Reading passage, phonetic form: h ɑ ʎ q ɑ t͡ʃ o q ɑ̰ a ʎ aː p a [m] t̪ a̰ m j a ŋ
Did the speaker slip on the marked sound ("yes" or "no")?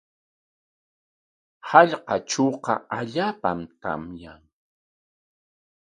no